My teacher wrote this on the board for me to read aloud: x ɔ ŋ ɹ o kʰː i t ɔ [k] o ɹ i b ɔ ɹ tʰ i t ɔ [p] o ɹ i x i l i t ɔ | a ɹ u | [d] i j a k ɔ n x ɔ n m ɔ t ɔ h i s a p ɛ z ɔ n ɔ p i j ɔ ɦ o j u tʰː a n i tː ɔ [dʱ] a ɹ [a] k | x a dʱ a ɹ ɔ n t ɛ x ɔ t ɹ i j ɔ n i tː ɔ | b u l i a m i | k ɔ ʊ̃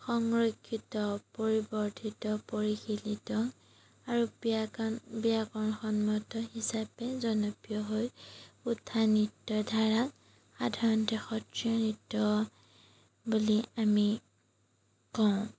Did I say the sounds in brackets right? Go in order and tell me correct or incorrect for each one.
incorrect: p, correct, incorrect: b, correct, correct

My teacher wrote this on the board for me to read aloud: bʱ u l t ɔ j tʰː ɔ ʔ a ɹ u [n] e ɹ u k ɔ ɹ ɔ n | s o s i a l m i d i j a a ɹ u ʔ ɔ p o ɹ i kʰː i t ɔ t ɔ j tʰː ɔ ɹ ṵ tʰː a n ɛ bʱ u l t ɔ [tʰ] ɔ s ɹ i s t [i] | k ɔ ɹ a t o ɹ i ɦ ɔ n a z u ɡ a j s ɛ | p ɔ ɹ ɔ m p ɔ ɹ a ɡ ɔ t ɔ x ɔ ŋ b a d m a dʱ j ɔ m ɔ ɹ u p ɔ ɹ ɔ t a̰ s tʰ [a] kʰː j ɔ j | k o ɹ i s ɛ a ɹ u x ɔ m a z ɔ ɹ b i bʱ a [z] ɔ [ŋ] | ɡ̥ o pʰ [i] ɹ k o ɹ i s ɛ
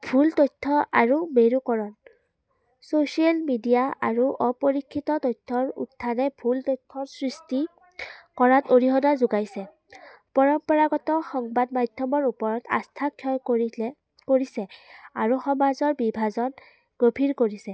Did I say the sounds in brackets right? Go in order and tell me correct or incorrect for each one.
incorrect: m, correct, correct, correct, correct, incorrect: n, correct

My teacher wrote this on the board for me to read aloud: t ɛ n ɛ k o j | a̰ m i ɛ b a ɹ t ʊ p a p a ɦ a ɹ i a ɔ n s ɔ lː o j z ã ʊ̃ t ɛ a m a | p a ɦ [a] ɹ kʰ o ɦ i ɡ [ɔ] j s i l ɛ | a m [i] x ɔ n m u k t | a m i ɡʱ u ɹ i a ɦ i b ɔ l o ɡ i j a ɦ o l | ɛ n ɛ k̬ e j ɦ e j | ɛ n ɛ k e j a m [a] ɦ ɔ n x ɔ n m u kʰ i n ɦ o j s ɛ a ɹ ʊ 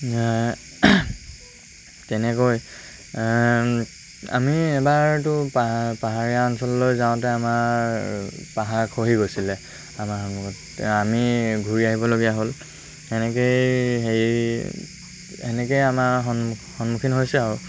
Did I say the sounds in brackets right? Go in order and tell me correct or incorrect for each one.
correct, incorrect: o, incorrect: a, correct

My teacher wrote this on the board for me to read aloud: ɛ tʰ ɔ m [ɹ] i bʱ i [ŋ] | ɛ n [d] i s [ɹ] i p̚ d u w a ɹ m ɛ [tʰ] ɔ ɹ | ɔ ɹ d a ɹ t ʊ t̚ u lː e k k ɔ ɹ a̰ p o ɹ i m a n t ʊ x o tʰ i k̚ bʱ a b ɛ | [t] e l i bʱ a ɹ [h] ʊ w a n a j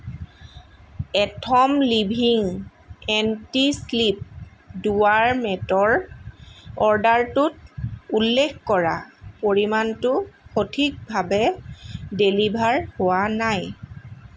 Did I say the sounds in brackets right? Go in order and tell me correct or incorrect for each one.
incorrect: l, correct, incorrect: t, incorrect: l, incorrect: t, incorrect: d, correct

